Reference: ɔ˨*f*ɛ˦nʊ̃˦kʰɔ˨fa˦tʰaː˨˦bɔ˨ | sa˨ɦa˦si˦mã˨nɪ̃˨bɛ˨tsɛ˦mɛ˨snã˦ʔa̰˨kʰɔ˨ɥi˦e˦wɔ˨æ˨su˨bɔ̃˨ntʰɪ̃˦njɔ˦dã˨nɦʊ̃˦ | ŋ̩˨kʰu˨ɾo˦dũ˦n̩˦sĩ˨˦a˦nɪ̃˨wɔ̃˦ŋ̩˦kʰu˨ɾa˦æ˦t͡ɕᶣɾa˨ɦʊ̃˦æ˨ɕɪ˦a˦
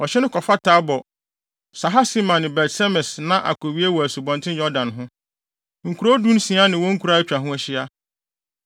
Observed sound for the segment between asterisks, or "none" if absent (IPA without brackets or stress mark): ɕ